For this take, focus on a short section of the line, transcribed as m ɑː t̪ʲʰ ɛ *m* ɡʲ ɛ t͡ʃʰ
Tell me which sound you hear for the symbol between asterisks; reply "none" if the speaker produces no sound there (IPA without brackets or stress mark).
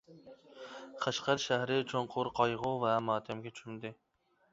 m